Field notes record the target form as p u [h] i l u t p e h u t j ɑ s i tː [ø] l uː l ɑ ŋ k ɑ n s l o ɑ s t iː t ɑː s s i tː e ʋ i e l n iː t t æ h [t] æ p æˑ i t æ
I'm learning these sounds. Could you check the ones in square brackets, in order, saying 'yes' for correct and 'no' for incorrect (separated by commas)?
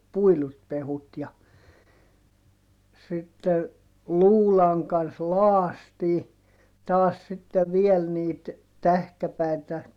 no, no, no